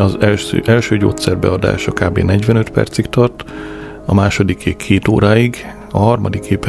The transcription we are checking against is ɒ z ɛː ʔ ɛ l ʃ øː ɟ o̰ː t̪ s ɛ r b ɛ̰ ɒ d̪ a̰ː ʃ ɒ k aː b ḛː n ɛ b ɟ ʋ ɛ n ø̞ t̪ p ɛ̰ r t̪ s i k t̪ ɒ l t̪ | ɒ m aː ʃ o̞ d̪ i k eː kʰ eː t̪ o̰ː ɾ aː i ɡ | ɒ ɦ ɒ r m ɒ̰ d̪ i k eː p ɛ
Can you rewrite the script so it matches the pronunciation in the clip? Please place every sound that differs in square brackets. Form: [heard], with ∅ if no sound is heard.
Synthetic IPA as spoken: ɒ z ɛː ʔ ɛ l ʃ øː ɟ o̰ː t̪ s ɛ r b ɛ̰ ɒ d̪ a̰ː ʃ ɒ k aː b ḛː n ɛ [∅] ɟ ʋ ɛ n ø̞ t̪ p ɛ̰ r t̪ s i k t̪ ɒ [r] t̪ | ɒ m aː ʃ o̞ d̪ i k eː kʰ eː t̪ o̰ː ɾ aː i ɡ | ɒ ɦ ɒ r m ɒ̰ d̪ i k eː p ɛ